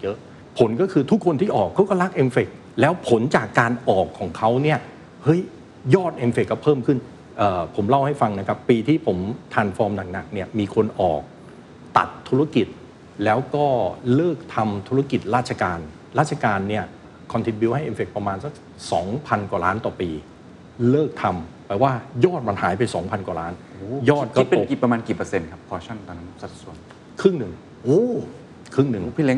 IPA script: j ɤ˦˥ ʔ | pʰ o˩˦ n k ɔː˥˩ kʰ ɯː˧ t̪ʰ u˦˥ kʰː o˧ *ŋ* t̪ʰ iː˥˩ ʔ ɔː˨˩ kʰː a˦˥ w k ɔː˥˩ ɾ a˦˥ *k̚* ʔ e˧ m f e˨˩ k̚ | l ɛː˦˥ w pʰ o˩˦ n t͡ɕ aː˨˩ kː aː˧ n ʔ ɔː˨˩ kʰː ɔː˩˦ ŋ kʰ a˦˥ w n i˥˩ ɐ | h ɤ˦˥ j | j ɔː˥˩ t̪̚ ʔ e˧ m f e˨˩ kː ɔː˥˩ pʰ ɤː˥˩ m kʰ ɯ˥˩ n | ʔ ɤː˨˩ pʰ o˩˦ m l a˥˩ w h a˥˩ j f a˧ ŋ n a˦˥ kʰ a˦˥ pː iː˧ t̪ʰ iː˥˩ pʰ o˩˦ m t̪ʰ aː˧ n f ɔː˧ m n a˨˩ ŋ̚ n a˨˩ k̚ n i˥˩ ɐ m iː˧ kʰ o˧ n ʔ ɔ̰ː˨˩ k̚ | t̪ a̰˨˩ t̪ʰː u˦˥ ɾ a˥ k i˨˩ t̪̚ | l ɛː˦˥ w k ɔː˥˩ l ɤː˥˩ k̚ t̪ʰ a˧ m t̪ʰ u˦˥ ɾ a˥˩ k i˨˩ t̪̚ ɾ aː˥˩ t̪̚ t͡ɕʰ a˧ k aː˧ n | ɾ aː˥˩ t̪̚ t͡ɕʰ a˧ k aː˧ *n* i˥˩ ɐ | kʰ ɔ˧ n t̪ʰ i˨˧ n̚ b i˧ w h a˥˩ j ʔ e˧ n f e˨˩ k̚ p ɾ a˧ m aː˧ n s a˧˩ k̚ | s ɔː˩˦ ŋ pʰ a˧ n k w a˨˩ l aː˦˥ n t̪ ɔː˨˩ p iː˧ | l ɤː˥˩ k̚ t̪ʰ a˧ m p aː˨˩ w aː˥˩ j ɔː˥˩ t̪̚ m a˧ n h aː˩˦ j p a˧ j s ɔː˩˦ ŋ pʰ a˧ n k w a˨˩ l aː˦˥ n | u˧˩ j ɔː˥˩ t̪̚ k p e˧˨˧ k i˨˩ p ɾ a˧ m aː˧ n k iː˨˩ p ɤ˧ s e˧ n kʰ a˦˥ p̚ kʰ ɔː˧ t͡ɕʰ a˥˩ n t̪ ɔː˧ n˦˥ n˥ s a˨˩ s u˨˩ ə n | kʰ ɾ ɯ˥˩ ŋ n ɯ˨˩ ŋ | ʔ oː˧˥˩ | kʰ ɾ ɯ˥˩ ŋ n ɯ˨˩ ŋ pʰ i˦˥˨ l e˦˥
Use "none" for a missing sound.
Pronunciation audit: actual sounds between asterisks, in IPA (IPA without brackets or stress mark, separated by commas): n, k̚, nː